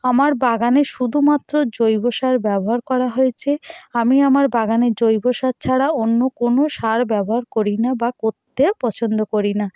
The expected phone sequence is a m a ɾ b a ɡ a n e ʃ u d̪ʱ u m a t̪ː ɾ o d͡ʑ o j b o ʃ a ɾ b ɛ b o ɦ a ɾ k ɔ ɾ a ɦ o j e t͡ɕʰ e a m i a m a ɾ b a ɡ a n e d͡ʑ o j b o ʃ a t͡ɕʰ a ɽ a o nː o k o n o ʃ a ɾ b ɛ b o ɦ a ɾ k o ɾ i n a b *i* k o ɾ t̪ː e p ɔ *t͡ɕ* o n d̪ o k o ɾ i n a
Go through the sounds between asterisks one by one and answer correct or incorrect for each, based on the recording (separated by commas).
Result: incorrect, incorrect